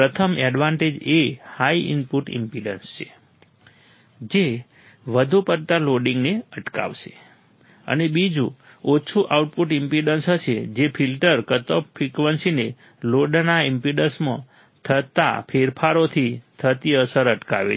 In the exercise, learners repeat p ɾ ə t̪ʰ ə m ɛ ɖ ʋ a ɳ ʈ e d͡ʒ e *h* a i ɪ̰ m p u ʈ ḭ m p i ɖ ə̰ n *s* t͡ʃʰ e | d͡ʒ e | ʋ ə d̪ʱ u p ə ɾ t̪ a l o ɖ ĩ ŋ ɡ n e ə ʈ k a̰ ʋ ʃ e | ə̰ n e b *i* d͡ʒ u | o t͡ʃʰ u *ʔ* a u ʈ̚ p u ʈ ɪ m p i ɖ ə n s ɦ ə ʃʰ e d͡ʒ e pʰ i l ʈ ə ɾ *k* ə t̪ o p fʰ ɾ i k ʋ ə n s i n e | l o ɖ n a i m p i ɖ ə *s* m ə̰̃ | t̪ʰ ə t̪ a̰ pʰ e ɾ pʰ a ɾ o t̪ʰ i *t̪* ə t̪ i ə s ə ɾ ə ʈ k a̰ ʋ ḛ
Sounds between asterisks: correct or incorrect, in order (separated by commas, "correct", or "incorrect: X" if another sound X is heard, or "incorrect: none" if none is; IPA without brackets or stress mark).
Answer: correct, correct, correct, correct, correct, correct, incorrect: t̪ʰ